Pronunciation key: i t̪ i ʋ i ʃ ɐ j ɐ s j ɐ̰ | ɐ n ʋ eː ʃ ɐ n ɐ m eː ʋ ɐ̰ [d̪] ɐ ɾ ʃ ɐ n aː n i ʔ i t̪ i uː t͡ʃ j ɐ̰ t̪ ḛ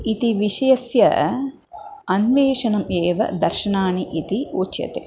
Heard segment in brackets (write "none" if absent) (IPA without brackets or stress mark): d̪